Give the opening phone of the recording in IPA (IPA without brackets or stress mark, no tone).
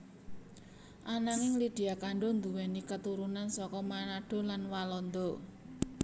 ʔ